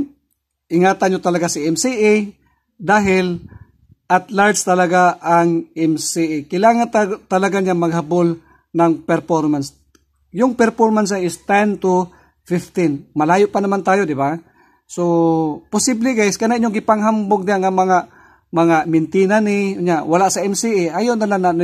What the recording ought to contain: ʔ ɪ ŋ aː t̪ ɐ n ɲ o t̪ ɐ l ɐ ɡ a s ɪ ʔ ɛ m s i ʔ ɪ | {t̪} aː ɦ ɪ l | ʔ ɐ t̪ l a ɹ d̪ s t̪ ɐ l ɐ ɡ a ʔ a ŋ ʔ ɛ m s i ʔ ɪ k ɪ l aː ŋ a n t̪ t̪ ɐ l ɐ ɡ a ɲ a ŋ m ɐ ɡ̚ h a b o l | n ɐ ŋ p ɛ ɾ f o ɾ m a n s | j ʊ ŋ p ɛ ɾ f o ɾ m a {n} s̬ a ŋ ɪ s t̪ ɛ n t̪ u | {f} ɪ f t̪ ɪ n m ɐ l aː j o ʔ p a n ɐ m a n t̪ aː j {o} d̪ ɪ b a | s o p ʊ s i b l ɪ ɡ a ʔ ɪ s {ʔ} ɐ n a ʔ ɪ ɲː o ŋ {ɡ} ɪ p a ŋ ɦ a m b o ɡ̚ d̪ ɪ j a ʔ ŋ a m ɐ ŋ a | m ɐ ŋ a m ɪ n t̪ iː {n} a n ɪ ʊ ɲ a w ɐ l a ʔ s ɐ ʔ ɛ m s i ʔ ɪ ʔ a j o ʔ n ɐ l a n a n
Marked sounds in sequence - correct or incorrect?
incorrect, correct, correct, correct, incorrect, correct, correct

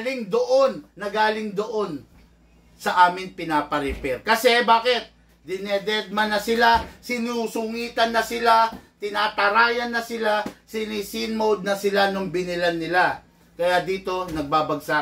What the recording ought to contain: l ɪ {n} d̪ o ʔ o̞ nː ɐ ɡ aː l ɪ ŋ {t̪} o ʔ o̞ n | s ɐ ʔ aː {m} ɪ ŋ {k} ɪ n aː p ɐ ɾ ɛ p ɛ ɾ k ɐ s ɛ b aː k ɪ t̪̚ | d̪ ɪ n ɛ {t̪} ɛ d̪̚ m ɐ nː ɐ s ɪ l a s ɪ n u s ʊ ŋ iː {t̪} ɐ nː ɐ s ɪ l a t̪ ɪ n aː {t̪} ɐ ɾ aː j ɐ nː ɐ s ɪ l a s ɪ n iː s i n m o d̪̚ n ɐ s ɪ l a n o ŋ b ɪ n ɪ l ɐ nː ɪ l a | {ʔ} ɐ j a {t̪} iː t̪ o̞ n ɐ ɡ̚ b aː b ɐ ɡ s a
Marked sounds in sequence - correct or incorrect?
incorrect, incorrect, correct, incorrect, incorrect, correct, correct, incorrect, incorrect

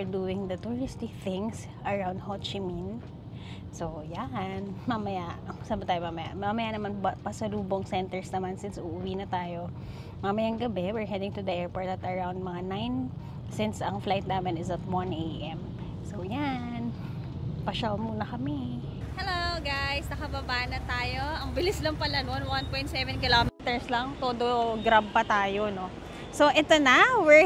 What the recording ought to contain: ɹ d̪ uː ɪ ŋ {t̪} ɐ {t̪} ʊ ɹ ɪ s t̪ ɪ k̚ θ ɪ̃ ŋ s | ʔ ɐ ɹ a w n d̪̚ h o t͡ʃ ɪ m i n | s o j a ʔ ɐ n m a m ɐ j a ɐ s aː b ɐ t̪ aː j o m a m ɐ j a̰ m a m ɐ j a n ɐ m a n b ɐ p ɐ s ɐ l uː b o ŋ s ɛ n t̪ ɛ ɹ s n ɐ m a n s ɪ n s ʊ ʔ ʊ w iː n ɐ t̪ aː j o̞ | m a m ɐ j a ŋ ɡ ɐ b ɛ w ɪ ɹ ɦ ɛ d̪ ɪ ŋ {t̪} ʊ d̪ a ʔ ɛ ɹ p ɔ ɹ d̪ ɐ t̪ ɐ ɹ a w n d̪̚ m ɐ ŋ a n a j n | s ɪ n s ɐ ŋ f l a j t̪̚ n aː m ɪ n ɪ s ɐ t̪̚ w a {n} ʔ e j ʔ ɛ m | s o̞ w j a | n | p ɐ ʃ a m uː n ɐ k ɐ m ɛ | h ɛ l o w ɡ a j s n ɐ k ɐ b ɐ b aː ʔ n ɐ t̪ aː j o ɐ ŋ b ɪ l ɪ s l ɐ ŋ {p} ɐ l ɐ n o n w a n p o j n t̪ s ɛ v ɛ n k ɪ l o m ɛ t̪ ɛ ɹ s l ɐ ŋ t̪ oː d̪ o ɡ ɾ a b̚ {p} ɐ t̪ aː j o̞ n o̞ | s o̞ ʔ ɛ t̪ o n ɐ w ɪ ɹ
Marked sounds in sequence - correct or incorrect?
incorrect, correct, correct, correct, correct, correct

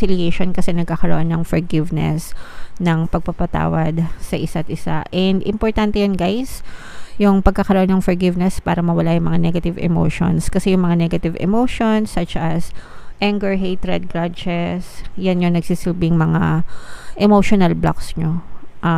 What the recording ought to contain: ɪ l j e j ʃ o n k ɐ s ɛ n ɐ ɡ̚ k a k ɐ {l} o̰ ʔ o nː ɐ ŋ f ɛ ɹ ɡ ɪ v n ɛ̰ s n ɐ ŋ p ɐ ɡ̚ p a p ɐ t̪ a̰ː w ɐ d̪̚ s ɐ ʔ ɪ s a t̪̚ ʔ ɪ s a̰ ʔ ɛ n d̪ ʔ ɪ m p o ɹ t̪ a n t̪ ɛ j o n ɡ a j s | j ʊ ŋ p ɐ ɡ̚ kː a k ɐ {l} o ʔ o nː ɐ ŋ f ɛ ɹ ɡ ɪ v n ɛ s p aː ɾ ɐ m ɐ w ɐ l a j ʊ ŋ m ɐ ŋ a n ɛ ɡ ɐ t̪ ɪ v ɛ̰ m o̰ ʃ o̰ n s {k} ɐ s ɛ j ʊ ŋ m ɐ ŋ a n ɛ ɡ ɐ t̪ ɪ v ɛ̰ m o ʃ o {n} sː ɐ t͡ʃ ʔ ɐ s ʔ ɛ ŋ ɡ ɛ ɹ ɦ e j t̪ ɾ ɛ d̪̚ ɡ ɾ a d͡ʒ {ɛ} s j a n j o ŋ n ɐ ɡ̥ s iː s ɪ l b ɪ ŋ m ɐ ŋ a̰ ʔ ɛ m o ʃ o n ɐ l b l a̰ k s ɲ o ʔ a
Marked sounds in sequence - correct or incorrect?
incorrect, incorrect, correct, correct, correct

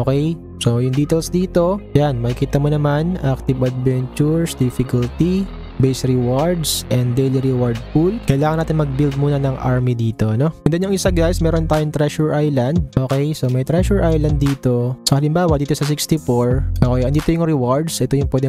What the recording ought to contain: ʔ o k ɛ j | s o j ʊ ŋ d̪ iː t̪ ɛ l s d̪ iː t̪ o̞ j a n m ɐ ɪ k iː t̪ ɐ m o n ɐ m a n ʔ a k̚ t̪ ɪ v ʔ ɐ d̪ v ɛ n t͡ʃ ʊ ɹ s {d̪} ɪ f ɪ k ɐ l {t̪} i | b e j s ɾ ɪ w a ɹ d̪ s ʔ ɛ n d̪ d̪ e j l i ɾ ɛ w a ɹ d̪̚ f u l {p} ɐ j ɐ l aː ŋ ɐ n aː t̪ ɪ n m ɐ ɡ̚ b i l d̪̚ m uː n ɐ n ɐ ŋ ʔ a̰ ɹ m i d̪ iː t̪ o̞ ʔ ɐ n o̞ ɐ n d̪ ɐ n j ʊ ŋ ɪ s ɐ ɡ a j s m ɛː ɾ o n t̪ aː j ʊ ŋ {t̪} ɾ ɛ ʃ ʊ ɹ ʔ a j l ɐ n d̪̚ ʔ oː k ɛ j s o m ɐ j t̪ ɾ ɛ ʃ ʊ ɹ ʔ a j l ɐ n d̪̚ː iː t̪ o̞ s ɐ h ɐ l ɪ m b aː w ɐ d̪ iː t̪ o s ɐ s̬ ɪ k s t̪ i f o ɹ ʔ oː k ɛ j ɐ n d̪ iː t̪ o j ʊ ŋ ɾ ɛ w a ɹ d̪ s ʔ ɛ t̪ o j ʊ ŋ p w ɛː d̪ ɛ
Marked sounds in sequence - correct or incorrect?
correct, correct, incorrect, correct

